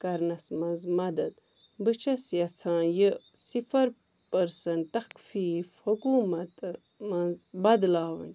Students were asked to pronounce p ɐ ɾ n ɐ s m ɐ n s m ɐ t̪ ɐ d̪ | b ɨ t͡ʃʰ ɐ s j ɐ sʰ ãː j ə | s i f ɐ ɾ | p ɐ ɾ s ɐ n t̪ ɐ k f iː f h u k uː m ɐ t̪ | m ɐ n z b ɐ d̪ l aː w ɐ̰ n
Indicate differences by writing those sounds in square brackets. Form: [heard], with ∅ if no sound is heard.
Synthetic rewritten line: [k] ɐ ɾ n ɐ s m ɐ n [z] m ɐ [d̪] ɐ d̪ | b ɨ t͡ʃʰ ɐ s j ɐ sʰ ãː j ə | s i f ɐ ɾ | p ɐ ɾ s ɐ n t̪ ɐ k f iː f h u k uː m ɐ t̪ | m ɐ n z b ɐ d̪ l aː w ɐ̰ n